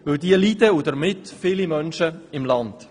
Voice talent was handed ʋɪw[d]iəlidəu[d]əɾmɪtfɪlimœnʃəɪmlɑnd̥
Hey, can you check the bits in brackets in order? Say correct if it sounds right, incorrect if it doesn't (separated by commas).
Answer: correct, correct